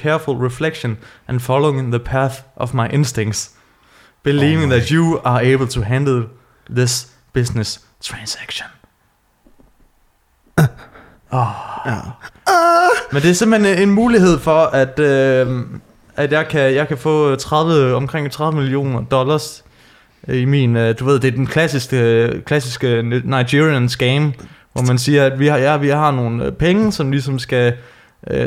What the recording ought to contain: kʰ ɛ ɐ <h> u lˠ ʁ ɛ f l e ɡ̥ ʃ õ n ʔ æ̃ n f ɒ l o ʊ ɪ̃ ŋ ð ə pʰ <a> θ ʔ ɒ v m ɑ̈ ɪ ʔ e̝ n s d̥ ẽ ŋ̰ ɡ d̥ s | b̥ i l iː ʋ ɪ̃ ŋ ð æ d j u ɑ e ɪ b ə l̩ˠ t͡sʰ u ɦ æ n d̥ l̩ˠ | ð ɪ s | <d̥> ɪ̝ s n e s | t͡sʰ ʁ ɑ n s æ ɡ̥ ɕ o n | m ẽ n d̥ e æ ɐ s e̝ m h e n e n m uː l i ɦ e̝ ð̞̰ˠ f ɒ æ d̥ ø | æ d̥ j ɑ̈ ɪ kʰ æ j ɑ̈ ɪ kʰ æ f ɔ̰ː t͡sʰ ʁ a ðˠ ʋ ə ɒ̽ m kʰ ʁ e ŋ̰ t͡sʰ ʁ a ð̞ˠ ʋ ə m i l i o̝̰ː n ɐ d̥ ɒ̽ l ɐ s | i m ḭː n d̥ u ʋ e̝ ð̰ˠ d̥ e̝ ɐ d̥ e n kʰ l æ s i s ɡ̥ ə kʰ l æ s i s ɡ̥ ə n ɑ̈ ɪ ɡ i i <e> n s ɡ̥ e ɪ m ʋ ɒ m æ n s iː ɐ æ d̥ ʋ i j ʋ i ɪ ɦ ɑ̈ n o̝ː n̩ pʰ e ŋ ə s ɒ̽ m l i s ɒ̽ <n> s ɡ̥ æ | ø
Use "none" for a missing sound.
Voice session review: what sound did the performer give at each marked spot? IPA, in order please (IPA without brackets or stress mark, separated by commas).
f, æ, b̥, æ, m